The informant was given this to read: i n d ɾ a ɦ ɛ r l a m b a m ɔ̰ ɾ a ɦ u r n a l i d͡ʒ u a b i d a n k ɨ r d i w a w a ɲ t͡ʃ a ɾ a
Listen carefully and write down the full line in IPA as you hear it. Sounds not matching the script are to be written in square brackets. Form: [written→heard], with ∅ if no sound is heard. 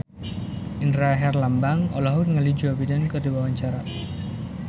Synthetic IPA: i n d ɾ a ɦ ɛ r l a m b a [m→ŋ] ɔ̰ [ɾ→l] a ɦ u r [n→ŋ] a l i d͡ʒ u a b i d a n k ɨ r d i w a w a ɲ t͡ʃ a ɾ a